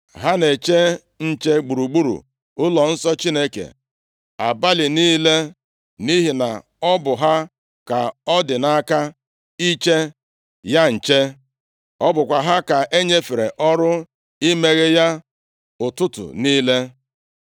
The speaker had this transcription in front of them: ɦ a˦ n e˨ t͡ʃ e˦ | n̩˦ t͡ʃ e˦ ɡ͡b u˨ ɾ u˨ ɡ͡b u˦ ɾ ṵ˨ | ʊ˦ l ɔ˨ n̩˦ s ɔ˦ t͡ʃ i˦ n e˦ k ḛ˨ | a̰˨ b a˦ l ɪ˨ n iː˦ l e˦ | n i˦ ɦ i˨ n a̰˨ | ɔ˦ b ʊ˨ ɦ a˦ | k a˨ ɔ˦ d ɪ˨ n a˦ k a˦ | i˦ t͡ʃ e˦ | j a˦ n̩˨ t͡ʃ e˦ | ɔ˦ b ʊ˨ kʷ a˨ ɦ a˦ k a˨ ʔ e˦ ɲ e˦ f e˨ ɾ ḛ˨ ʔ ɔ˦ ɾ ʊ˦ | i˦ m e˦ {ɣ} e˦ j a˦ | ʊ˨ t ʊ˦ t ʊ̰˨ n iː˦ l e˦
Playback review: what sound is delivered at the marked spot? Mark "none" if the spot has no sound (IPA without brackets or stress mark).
ɣ